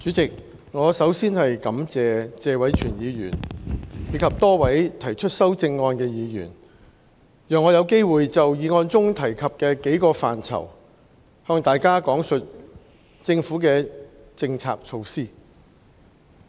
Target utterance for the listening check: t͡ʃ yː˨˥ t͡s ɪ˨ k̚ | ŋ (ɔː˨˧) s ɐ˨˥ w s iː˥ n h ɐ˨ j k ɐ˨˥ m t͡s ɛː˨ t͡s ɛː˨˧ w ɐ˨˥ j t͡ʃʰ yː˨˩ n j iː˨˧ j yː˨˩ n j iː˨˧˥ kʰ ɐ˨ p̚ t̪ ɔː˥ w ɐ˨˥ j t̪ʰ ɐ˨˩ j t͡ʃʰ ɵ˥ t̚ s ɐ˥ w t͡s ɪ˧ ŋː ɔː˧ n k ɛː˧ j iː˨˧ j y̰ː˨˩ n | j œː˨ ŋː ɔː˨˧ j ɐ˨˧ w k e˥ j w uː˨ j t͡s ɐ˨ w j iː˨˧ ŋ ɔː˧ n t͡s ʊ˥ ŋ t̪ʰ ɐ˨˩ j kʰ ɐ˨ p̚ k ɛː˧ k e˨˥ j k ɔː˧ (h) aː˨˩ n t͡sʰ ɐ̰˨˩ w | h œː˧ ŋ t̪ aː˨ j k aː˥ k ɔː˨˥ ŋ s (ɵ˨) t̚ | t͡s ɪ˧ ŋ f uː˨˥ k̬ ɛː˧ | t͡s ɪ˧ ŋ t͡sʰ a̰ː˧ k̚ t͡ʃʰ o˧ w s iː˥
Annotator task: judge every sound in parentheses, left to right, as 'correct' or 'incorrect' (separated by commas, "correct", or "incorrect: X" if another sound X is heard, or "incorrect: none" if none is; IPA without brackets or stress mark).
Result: correct, incorrect: f, correct